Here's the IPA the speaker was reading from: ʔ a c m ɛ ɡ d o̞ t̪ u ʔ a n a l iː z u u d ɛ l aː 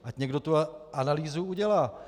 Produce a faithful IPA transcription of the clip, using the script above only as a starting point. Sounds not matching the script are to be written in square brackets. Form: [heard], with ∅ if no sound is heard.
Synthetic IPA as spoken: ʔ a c [ɲ] ɛ ɡ d o̞ t̪ u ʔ a n a l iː z u u [ɟ] ɛ l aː